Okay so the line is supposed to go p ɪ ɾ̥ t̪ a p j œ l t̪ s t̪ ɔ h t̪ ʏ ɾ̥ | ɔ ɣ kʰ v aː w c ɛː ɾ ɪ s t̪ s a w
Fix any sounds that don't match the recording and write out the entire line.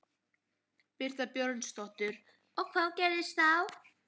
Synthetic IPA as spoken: p ɪ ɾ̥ t̪ a p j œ ɾ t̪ s t̪ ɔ h t̪ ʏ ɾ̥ | ɔ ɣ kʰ v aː w c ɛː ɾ ɪ s t̪ θ a w